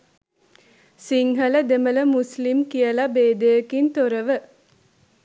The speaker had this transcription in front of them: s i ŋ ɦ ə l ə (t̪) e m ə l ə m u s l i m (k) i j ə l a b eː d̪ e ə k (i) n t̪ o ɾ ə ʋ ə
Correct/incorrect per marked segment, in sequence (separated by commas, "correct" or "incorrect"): incorrect, correct, correct